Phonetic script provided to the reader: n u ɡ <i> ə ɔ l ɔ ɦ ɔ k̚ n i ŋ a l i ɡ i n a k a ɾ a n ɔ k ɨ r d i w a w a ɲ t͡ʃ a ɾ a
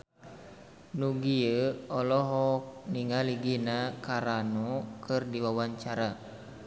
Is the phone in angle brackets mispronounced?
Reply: no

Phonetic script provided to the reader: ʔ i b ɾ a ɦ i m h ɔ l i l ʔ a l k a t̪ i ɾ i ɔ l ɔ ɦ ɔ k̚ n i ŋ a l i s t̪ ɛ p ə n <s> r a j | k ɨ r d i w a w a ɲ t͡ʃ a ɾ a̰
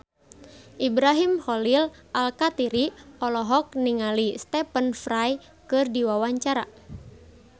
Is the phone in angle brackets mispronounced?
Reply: yes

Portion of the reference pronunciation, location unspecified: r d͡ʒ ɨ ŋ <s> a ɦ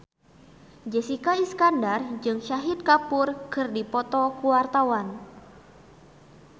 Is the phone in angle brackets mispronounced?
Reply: yes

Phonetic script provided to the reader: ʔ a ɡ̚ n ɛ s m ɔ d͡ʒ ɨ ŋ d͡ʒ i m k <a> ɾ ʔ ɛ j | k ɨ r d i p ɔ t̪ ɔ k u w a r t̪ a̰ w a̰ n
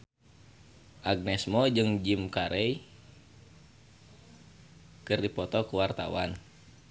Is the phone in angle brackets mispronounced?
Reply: no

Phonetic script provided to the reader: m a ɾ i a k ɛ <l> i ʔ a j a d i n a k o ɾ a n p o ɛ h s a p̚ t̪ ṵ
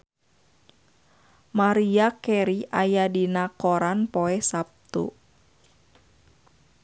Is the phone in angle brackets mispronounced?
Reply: yes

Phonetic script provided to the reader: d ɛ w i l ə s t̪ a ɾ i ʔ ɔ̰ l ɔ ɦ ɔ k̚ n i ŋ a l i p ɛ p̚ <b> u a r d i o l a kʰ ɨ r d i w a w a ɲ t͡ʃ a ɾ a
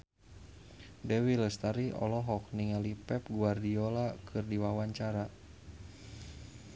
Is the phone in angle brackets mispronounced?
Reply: yes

